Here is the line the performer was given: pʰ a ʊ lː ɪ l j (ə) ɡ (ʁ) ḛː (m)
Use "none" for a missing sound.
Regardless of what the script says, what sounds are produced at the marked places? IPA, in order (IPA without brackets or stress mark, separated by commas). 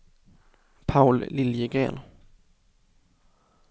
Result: ə, ʁ, n